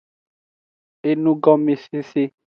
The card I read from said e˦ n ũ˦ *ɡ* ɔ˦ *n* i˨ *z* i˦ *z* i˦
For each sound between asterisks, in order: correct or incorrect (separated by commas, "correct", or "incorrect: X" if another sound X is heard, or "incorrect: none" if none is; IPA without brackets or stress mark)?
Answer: correct, incorrect: m, incorrect: s, incorrect: s